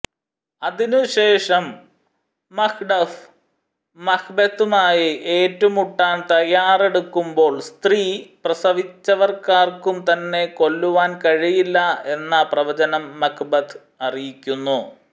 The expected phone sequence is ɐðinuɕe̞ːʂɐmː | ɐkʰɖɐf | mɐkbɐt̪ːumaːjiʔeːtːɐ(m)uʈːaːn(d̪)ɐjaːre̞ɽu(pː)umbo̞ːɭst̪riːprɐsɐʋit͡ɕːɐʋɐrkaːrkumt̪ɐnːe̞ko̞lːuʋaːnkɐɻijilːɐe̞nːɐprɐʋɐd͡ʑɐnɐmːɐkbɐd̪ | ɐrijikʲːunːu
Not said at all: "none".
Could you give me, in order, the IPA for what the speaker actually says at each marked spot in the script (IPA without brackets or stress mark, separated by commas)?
m, t̪, kː